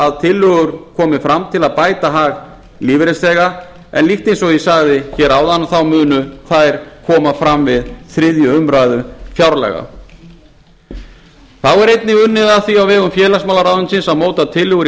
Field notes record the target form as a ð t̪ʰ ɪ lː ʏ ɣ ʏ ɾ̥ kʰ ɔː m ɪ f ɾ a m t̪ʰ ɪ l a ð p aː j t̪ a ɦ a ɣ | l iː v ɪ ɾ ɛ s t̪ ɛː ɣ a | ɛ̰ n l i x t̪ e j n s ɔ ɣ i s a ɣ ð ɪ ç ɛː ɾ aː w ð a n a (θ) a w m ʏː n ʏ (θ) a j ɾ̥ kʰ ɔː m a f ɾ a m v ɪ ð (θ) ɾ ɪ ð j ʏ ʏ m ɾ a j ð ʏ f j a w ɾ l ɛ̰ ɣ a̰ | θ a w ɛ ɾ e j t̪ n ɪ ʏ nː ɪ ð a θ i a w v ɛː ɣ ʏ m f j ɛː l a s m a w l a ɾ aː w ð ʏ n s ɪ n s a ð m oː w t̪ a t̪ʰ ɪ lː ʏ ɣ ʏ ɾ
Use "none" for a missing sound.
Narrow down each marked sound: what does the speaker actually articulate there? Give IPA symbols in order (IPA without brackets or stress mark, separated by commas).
θ, θ, θ